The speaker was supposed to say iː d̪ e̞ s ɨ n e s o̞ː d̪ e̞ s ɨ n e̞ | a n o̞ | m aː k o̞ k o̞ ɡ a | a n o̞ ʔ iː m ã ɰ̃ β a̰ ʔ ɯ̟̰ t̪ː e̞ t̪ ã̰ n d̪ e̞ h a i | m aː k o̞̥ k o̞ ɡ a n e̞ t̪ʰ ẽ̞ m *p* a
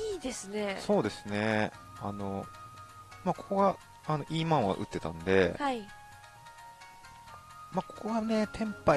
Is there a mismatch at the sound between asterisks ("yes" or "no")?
no